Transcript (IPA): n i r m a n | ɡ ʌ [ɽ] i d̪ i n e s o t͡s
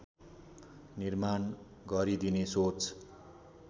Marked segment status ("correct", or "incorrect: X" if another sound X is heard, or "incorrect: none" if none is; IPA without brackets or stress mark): incorrect: ɾ